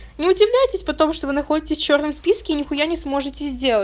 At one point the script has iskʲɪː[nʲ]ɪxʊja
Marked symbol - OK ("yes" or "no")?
yes